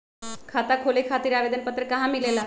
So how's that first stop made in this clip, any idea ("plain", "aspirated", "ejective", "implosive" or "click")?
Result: aspirated